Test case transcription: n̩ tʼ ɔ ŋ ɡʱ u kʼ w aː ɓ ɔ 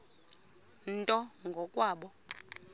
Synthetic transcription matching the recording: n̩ tʼ ɔ ŋ ɡʱ ɔ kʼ w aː ɓ ɔ